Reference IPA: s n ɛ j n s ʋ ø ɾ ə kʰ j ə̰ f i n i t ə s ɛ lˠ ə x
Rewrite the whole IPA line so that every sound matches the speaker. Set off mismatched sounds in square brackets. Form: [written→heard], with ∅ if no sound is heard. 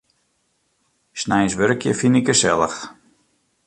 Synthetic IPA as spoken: s n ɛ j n s ʋ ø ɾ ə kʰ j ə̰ f i n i [t→k] ə s ɛ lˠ ə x